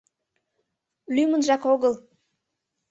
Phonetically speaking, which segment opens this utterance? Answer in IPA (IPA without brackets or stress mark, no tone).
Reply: l